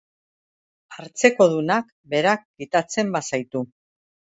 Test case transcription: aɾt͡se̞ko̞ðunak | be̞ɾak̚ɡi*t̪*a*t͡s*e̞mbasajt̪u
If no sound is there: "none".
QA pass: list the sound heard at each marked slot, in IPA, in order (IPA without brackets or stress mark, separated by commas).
t̪, t͡s